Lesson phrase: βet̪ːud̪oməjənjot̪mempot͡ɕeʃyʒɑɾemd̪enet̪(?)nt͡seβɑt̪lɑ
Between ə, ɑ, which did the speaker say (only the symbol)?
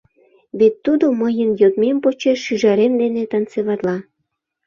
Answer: ɑ